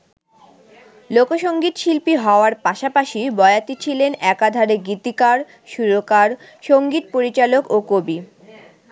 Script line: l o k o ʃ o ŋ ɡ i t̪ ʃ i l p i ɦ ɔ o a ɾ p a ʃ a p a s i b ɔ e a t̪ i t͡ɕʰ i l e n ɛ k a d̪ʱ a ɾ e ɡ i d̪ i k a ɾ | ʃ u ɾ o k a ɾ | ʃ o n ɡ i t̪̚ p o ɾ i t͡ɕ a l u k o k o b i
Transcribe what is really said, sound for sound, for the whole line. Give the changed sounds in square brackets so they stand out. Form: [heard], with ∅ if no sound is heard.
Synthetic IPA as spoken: l o k o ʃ o ŋ ɡ i t̪ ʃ i l p i ɦ ɔ o a ɾ p a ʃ a p a [ʃ] i b ɔ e a t̪ i t͡ɕʰ i l e n ɛ k a d̪ʱ a ɾ e ɡ i [t̪] i k a ɾ | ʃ u ɾ o k a ɾ | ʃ o [ŋ] ɡ i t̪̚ p o ɾ i t͡ɕ a l [o] k o k o b i